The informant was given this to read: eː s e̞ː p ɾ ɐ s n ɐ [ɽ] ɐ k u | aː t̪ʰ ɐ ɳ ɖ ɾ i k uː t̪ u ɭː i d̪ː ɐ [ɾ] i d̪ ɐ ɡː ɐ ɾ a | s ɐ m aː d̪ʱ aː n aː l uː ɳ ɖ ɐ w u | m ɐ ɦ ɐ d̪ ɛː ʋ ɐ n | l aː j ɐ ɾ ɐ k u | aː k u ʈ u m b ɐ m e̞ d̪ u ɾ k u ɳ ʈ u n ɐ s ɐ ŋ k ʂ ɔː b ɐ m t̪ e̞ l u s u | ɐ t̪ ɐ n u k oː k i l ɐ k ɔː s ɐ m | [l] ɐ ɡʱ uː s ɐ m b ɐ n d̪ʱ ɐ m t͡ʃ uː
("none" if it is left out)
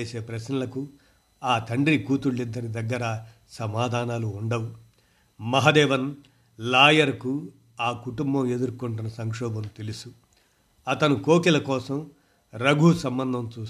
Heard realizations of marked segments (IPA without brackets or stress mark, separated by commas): l, ɾ, ɾ